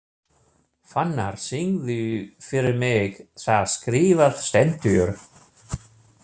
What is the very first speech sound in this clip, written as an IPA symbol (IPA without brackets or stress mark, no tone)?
f